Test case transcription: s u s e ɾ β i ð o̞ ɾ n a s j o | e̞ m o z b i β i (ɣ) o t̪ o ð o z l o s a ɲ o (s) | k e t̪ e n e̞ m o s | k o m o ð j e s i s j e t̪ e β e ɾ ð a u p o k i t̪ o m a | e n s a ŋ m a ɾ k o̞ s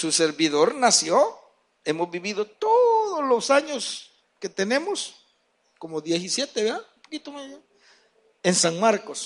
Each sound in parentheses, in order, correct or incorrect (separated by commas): incorrect, correct